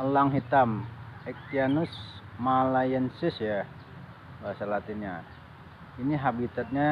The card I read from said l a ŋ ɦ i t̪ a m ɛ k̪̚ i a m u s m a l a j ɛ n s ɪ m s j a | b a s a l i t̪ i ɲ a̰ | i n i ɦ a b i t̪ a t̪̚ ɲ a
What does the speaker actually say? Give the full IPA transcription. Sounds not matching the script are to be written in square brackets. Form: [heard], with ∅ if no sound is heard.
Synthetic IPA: l a ŋ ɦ i t̪ a m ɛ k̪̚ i a [n] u s m a l a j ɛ n s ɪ [∅] s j a | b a s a l [a] t̪ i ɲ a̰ | i n i ɦ a b i t̪ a t̪̚ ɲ a